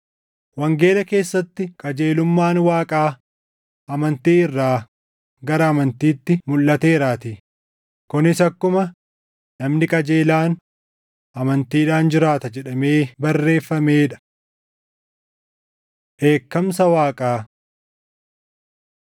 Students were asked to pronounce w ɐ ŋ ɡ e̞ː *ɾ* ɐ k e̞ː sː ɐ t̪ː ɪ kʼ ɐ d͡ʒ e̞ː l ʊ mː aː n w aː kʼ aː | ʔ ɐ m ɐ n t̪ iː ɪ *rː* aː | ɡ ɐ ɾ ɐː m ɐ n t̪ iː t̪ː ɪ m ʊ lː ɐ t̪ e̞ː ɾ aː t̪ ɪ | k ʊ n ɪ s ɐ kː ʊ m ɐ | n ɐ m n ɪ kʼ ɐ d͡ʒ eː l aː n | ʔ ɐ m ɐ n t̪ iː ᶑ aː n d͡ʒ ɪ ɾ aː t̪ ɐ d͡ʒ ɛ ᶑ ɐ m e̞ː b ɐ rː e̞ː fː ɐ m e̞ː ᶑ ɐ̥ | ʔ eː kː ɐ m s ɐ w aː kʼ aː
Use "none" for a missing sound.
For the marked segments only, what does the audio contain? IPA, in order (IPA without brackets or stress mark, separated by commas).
l, rː